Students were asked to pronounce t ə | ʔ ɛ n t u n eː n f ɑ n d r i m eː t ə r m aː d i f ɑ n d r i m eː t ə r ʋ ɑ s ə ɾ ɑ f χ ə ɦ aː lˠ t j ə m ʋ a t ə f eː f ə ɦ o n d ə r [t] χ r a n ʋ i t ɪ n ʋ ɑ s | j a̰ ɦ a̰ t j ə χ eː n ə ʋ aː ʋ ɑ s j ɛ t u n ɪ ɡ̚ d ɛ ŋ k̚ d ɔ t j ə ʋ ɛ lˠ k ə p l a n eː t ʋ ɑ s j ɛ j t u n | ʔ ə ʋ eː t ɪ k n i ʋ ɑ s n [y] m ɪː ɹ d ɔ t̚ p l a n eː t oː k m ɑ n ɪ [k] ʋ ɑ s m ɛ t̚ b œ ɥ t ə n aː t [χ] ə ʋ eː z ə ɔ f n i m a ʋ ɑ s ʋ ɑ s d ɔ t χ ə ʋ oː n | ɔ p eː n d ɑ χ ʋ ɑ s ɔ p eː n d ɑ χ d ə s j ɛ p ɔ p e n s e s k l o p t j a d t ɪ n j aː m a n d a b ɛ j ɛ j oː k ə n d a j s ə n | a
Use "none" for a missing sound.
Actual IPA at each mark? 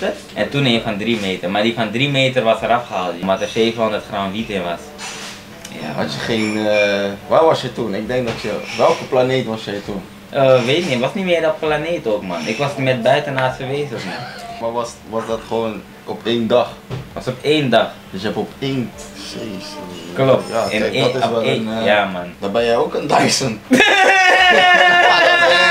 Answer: t, i, k, f

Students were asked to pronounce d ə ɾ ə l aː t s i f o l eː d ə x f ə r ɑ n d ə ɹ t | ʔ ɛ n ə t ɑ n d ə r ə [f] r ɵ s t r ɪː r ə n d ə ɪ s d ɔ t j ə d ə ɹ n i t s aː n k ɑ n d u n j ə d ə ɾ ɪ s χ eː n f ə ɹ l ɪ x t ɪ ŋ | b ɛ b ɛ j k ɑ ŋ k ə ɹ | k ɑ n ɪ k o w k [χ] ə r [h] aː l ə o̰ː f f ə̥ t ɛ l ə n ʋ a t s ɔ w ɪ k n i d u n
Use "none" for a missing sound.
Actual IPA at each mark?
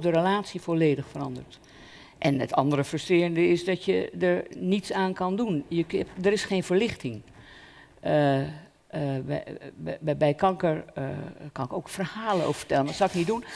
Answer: f, f, h

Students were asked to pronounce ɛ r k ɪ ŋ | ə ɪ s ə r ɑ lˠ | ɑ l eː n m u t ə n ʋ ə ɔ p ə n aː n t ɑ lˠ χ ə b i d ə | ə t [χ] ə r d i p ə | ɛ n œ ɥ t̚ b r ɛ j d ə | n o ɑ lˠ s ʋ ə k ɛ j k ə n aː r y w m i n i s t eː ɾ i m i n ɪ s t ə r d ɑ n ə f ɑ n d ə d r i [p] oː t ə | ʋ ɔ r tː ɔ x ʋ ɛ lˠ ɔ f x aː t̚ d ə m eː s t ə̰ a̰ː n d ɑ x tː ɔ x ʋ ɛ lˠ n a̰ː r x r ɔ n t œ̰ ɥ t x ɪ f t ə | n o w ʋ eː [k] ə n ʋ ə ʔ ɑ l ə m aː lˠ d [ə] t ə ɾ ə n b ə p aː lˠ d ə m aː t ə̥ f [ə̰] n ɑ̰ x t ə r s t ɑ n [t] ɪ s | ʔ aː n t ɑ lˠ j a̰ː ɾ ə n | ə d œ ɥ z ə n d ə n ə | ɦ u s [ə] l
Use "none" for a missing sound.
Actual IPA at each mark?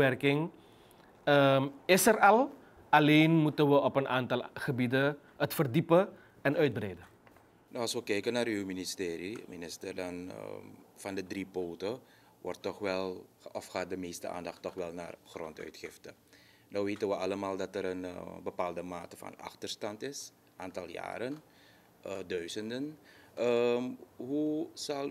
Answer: f, p, t, ɑ, ɑ̰, t, ɑ

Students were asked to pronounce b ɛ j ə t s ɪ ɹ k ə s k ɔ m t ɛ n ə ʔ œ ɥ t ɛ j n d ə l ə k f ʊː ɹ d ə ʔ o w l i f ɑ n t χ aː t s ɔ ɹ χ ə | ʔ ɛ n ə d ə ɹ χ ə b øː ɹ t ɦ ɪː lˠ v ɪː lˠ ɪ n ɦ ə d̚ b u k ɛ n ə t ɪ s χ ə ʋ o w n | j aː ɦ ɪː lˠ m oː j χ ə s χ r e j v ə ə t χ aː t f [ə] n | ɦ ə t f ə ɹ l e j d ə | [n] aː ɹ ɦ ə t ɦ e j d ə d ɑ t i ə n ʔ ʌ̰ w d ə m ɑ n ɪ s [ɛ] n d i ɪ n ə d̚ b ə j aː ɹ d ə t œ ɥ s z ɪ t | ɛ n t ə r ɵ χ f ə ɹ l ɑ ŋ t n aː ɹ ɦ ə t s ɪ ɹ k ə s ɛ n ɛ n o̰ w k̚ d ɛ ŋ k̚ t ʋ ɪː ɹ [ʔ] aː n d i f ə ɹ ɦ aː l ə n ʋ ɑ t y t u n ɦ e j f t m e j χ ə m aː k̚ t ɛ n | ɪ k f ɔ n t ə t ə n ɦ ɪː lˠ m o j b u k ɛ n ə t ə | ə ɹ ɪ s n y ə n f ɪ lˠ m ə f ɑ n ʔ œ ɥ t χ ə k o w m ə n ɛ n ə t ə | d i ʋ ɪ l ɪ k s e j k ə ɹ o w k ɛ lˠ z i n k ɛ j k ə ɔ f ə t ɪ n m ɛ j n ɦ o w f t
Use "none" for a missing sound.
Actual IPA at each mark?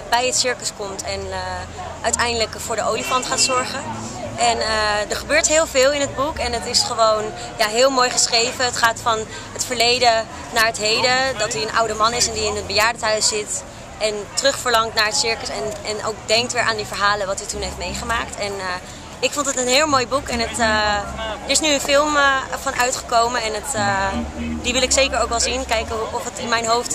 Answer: ɑ, n, ɛ, ʔ

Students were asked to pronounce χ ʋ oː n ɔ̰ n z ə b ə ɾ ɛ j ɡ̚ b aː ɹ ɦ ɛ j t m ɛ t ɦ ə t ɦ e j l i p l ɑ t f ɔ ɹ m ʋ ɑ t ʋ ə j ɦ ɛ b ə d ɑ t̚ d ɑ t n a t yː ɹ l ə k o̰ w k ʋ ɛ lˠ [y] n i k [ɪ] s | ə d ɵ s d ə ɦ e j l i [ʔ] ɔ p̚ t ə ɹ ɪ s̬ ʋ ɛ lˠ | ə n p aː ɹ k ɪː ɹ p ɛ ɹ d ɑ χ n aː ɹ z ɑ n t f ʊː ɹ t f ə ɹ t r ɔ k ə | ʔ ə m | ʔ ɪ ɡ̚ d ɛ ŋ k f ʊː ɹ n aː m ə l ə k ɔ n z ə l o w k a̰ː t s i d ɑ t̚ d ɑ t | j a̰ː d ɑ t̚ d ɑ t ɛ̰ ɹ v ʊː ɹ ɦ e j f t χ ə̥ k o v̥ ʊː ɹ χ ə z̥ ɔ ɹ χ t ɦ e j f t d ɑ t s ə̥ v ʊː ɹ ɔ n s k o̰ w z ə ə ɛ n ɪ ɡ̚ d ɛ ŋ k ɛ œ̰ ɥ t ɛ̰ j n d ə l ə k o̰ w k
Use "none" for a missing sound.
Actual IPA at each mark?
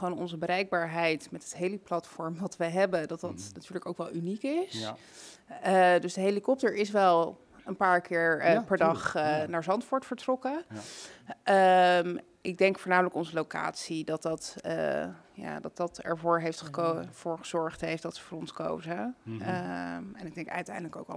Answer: y, ɪ, k

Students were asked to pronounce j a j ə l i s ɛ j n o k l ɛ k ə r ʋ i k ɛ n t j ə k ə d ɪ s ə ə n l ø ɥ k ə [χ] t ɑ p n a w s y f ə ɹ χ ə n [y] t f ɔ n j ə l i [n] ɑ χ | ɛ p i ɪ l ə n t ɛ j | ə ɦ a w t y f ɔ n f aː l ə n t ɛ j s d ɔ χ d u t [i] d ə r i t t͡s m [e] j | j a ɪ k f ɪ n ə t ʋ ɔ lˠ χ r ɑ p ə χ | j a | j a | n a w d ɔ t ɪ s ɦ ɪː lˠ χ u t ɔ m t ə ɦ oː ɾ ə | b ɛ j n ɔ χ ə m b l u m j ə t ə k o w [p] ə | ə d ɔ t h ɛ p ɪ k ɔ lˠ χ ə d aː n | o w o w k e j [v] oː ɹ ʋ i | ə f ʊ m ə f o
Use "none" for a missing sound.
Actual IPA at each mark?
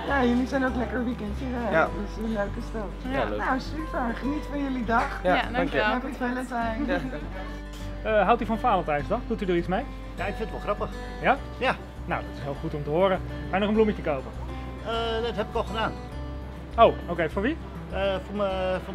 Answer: s, i, d, y, e, p, f

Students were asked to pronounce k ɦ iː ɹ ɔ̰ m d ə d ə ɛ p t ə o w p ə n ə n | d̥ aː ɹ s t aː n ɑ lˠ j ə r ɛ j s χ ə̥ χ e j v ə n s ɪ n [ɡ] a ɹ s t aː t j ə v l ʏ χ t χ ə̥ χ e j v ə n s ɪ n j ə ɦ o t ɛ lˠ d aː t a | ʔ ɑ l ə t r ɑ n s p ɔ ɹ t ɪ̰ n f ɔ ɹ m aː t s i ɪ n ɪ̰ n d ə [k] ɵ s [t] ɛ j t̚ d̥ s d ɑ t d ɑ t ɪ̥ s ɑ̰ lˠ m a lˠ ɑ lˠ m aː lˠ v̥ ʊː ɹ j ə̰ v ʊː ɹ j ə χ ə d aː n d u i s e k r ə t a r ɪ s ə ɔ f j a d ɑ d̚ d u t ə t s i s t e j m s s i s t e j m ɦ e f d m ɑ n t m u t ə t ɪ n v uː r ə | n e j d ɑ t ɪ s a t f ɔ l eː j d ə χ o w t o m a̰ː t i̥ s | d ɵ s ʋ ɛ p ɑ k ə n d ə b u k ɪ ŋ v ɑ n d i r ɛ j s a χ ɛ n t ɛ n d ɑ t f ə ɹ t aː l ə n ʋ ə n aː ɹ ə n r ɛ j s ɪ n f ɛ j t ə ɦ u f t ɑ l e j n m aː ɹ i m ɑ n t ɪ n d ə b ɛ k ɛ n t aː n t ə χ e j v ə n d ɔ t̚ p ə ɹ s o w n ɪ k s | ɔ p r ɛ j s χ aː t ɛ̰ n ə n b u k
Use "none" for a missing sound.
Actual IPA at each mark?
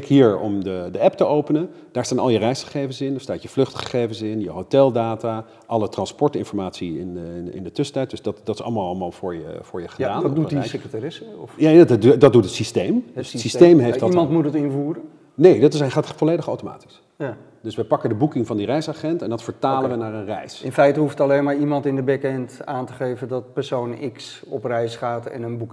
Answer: d, t, t

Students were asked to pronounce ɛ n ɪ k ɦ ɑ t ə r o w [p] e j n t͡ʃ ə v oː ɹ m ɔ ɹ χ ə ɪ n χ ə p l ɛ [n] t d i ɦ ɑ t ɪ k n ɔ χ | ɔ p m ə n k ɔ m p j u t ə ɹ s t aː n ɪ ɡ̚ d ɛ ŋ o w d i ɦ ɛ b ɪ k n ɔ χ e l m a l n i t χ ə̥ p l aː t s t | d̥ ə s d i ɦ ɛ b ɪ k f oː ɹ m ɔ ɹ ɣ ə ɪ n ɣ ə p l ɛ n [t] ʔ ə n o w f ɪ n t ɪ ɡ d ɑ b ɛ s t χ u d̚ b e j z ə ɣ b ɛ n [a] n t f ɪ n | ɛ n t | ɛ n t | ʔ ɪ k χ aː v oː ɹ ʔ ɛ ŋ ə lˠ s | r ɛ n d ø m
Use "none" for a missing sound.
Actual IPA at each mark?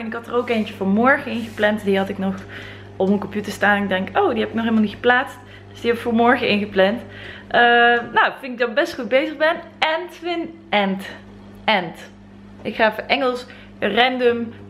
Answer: k, n, t, ɛ

